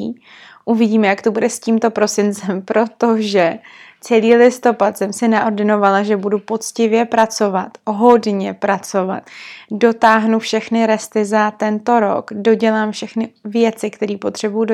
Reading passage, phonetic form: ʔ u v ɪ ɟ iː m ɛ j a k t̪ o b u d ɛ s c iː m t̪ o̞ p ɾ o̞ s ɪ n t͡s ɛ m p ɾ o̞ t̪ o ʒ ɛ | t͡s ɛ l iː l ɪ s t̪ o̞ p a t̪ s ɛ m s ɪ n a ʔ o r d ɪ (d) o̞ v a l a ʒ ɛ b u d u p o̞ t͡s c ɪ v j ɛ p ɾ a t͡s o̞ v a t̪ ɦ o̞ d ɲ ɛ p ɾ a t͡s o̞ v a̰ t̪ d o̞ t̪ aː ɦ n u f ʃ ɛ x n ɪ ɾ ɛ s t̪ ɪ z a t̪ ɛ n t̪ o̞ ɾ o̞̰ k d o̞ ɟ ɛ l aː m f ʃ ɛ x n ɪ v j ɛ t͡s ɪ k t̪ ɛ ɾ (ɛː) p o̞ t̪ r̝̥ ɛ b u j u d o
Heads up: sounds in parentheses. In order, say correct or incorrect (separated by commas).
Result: incorrect, incorrect